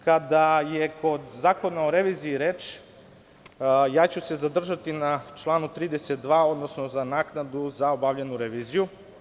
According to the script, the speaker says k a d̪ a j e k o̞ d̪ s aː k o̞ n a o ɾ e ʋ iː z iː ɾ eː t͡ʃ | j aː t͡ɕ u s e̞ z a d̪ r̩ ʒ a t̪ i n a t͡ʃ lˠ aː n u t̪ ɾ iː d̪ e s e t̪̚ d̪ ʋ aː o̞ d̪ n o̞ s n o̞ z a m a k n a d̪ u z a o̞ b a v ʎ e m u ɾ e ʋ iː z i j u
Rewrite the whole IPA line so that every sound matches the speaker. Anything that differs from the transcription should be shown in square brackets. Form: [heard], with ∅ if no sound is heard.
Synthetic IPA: k a d̪ a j e k o̞ d̪ [z] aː k o̞ n a o ɾ e ʋ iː z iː ɾ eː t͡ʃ | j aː t͡ɕ u s e̞ z a d̪ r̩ ʒ a t̪ i n a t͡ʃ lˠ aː n u t̪ ɾ iː d̪ e s e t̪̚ d̪ ʋ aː o̞ d̪ n o̞ s n o̞ z a [n] a k n a d̪ u z a o̞ b a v ʎ e [n] u ɾ e ʋ iː z i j u